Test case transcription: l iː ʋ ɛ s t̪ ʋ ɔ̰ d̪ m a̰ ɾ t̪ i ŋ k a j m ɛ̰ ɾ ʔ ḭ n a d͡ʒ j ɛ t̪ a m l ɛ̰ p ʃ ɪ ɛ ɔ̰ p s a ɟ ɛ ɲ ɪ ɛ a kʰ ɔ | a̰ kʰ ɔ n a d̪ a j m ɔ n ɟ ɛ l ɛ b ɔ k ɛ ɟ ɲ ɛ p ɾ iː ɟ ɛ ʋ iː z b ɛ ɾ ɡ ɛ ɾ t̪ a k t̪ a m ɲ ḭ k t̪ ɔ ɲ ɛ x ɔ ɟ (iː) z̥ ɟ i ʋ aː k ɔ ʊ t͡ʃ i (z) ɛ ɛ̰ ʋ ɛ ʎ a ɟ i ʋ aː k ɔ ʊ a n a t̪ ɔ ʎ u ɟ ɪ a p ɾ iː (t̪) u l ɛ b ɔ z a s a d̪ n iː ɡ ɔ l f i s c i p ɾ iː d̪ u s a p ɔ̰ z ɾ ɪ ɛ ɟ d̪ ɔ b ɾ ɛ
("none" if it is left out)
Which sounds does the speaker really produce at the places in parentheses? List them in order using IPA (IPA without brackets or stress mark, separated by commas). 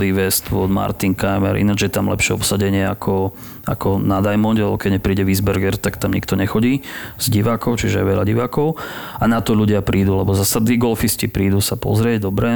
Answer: iː, ʒ, d̪